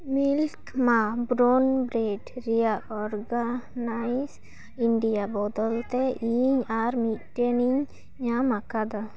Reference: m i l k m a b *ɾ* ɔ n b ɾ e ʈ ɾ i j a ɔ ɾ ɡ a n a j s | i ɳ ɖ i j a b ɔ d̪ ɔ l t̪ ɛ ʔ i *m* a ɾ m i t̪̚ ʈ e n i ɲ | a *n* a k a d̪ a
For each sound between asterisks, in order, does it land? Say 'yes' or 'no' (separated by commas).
yes, no, no